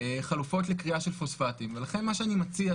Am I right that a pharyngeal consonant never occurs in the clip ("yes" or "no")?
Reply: yes